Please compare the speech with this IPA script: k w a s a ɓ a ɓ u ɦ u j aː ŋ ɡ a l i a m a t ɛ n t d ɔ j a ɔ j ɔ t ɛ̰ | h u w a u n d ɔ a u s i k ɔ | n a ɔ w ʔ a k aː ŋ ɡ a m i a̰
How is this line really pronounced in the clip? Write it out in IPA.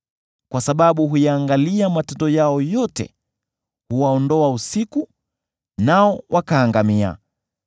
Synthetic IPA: k w a s a ɓ a ɓ u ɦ u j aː ŋ ɡ a l i a m a t ɛ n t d ɔ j a ɔ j ɔ t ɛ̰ | h u w a ɔ n d ɔ a u s i k u | n a ɔ w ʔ a k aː ŋ ɡ a m i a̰